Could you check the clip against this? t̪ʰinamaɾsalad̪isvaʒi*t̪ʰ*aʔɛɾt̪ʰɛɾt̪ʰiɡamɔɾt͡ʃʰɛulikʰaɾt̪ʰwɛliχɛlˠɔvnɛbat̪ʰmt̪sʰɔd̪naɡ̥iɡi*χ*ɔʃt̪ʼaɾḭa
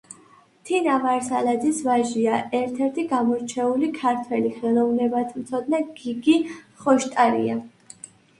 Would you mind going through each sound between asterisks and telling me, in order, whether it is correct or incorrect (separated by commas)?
incorrect, correct